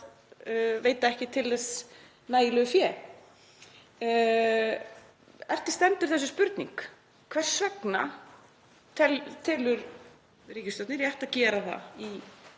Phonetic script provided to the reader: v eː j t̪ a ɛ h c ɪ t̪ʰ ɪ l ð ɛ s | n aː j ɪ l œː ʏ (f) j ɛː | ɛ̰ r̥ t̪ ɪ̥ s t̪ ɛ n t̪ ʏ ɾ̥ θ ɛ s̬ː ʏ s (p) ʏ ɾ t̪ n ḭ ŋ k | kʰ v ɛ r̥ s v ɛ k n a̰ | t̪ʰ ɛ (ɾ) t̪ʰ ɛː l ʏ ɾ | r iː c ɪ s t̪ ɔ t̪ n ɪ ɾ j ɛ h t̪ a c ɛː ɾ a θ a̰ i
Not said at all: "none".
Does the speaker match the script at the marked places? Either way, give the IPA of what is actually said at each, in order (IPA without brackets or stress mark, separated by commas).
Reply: f, p, l